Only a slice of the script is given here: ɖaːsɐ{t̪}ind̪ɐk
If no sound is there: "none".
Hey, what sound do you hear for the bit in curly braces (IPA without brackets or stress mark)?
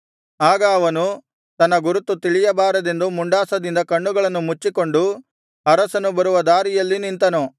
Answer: d̪